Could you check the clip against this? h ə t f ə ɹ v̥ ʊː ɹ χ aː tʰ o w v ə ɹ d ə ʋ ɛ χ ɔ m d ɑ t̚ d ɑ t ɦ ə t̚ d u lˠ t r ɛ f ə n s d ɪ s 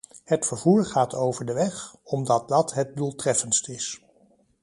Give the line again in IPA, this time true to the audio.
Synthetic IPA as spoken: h ə t f ə ɹ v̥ uː ɹ χ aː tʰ o w v ə ɹ d ə ʋ ɛ χ ɔ m d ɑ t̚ d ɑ t ɦ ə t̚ d u lˠ t r ɛ f ə n s t ɪ s